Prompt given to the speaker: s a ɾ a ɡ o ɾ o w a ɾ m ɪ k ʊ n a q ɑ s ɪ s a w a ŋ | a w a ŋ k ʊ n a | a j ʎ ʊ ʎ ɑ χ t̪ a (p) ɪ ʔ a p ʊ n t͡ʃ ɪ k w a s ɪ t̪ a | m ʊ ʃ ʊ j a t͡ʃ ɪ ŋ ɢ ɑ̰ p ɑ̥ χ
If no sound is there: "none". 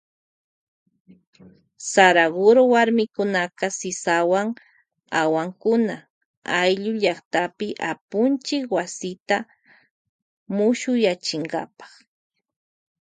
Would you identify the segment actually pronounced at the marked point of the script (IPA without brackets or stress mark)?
p